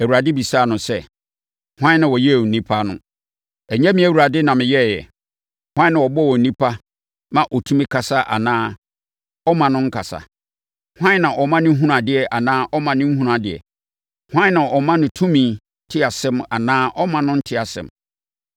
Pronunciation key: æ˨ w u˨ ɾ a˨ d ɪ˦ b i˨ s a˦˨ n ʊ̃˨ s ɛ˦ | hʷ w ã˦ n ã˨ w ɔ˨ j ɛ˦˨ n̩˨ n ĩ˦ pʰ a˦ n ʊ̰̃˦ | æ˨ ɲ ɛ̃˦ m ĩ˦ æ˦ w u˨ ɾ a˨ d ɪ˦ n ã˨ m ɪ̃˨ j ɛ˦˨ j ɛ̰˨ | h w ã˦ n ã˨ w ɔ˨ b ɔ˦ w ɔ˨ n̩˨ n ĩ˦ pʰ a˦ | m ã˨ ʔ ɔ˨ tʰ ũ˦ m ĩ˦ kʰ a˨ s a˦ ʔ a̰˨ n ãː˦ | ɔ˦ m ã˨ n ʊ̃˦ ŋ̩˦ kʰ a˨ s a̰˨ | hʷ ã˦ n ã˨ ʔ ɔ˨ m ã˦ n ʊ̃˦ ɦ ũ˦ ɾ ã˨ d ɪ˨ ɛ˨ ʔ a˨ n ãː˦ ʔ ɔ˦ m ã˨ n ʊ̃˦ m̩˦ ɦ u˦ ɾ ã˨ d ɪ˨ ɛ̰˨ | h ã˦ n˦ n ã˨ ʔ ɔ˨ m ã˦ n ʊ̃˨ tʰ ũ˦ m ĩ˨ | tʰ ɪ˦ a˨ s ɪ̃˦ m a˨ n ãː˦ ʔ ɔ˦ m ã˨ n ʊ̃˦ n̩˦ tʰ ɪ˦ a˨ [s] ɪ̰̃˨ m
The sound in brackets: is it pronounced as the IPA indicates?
yes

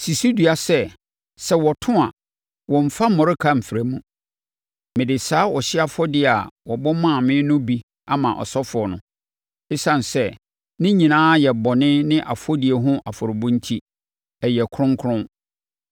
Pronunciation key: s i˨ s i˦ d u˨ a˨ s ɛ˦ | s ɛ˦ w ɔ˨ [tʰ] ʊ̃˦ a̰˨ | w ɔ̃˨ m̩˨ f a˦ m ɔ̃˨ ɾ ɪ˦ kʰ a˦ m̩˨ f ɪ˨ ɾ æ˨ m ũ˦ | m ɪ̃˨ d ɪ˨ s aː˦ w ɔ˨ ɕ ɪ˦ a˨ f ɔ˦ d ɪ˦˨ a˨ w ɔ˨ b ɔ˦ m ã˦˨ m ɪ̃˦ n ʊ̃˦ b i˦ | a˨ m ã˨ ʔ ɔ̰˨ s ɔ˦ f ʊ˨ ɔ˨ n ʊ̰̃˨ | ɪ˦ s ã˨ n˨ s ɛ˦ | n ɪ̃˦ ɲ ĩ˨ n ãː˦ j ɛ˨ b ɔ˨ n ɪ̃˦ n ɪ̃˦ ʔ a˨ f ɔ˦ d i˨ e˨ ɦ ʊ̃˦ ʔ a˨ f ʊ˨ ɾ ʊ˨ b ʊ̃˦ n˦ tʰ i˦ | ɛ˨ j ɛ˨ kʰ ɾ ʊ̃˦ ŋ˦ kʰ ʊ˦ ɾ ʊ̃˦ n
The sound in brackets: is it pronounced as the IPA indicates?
yes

